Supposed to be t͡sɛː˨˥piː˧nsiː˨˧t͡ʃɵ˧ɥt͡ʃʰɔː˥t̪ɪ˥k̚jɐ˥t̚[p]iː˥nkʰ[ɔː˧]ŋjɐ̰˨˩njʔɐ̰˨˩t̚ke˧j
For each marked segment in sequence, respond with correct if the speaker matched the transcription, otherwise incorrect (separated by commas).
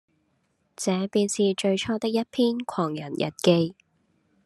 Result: incorrect, incorrect